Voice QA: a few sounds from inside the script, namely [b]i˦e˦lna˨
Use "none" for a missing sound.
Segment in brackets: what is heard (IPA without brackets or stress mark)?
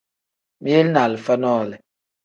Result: m